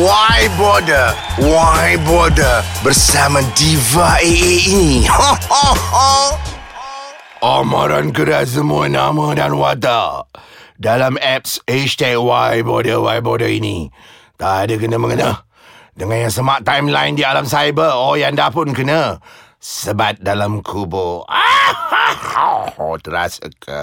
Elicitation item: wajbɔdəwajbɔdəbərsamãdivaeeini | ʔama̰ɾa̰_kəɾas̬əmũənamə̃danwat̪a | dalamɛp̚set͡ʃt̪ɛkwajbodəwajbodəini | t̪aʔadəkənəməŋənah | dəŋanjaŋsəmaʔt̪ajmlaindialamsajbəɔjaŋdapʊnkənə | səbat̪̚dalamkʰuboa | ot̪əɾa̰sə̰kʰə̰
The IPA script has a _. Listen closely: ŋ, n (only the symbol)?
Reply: n